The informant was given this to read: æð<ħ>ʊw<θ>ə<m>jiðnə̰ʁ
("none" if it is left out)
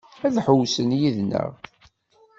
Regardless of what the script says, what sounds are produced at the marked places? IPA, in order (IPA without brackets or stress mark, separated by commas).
ħ, s, n